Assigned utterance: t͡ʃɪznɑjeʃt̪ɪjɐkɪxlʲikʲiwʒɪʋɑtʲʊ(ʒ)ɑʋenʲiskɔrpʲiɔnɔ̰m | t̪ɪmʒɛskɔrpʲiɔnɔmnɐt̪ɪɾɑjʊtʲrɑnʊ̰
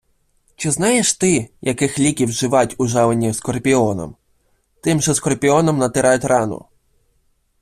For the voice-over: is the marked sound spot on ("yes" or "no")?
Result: yes